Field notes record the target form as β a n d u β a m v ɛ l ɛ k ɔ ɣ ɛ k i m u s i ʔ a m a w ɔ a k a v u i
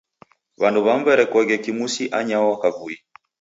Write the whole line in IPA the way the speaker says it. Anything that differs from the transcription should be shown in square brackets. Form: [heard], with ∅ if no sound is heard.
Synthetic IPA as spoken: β a n d u β a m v ɛ [ɾ] ɛ k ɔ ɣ ɛ k i m u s i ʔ a [ɲ] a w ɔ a k a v u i

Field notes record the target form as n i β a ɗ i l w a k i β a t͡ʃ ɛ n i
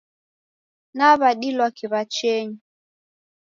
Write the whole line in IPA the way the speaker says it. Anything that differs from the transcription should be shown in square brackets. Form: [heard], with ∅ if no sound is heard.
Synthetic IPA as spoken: n [a] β a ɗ i l w a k i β a t͡ʃ ɛ [ɲ] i

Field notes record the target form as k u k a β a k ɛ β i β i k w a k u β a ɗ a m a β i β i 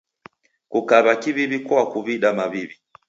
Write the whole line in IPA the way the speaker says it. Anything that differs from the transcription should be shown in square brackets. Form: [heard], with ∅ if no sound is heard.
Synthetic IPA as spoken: k u k a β a k [i] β i β i k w a k u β [i] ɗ a m a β i β i

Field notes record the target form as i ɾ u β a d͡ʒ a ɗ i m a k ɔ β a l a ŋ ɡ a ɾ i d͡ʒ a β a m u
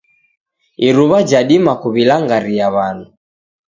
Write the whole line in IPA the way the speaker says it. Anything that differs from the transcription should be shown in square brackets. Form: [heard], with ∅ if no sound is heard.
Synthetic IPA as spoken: i ɾ u β a d͡ʒ a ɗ i m a k [u] β [i] l a ŋ ɡ a ɾ i [∅] a β a [n] u

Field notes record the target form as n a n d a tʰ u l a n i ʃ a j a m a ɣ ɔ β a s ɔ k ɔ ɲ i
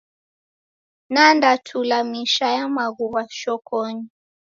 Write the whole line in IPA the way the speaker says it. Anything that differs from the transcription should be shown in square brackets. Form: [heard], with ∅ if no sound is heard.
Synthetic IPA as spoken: n a n d a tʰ u l a [m] i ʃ a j a m a ɣ [u] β a [ʃ] ɔ k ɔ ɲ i

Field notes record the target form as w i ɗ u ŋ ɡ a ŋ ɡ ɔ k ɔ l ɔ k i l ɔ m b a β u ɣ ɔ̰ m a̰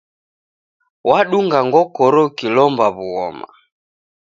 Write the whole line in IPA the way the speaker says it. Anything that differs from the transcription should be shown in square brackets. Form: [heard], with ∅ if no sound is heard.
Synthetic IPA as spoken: w [a] ɗ u ŋ ɡ a ŋ ɡ ɔ k ɔ [ɾ] ɔ k i l ɔ m b a β u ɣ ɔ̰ m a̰

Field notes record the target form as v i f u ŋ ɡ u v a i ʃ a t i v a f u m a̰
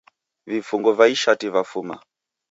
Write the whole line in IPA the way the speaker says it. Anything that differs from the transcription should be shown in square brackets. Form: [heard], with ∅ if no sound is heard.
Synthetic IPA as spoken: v i f u ŋ ɡ [ɔ] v a i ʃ a t i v a f u m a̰

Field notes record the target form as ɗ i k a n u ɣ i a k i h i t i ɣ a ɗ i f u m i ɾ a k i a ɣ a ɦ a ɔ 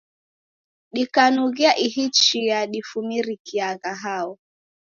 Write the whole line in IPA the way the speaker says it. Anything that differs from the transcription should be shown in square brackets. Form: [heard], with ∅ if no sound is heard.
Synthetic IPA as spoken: ɗ i k a n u ɣ i a [ʔ] i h i [t͡ʃ] i [∅] a ɗ i f u m i ɾ [i] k i a ɣ a ɦ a ɔ

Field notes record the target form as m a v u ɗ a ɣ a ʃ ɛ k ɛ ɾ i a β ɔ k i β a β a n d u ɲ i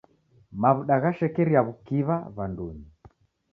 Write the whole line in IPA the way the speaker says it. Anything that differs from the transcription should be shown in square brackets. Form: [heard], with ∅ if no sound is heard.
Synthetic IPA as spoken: m a [β] u ɗ a ɣ a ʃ ɛ k ɛ ɾ i a β [u] k i β a β a n d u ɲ i

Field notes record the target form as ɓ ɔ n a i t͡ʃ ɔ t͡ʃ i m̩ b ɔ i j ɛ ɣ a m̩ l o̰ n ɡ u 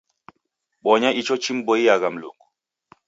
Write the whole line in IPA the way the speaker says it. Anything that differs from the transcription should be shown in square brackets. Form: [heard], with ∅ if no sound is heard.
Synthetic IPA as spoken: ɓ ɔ [ɲ] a i t͡ʃ ɔ t͡ʃ i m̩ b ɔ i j [a] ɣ a m̩ l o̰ [ŋ] ɡ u

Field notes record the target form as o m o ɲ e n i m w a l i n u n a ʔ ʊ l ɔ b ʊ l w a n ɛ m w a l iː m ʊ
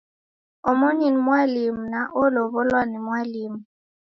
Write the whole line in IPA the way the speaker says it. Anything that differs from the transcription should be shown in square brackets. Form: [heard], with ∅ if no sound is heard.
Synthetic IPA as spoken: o m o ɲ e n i m w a l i [m] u n a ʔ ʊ l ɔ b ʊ l w a n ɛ m w a l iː m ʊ

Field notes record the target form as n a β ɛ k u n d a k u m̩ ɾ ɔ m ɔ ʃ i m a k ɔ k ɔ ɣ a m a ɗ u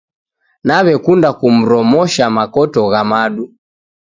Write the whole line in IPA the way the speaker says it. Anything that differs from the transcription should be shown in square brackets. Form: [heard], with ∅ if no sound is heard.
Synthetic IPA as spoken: n a β ɛ k u n d a k u m̩ ɾ ɔ m ɔ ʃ [a] m a k ɔ [t] ɔ ɣ a m a ɗ u

